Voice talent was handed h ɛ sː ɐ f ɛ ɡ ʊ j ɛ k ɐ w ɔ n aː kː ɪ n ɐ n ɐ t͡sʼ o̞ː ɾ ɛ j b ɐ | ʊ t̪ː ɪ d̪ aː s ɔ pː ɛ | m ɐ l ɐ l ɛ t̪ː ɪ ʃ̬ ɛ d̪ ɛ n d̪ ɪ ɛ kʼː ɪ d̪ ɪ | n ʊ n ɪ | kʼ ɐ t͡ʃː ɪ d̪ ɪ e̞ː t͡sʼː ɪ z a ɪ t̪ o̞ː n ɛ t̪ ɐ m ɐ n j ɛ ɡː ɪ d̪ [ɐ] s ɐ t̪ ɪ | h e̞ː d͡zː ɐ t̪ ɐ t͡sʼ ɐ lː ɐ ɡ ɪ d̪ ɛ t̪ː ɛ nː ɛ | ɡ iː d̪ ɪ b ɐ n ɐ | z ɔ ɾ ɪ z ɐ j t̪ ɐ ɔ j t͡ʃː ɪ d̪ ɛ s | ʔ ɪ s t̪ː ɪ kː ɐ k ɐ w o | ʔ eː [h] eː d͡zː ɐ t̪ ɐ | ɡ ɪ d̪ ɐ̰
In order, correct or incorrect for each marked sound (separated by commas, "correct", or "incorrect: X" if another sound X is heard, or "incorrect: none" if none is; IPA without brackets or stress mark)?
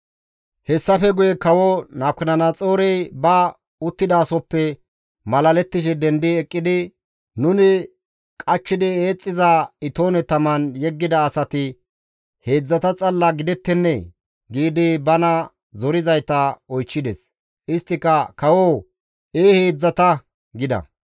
incorrect: ɐː, correct